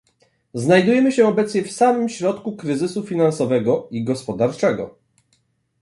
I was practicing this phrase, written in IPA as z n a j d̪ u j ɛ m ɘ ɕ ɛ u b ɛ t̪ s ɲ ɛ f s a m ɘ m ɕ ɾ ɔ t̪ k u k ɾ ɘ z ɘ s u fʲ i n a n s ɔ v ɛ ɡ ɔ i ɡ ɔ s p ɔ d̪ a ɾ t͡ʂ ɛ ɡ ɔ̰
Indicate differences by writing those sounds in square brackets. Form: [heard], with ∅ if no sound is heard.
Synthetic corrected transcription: z n a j d̪ u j ɛ m ɘ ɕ ɛ [ɔ] b ɛ t̪ s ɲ ɛ f s a m ɘ m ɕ ɾ ɔ t̪ k u k ɾ ɘ z ɘ s u fʲ i n a n s ɔ v ɛ ɡ ɔ i ɡ ɔ s p ɔ d̪ a ɾ t͡ʂ ɛ ɡ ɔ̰